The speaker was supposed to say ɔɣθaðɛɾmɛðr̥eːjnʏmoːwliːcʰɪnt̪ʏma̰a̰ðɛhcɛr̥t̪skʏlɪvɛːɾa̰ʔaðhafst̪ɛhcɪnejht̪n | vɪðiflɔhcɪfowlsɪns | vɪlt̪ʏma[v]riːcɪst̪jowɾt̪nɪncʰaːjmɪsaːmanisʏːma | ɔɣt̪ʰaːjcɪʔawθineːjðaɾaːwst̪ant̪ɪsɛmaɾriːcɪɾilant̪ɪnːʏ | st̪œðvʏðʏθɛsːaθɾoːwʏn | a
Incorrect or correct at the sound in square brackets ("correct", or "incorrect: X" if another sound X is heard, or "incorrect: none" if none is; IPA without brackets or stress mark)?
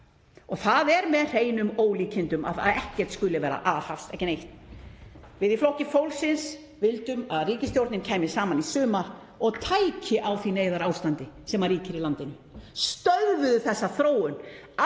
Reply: incorrect: ð